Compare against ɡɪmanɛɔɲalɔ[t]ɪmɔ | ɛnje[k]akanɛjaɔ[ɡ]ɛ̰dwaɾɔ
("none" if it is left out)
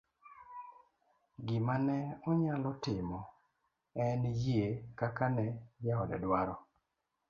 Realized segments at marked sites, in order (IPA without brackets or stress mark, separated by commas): t, k, d